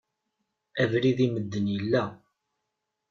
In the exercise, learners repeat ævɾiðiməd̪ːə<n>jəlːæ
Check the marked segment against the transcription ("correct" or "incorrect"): correct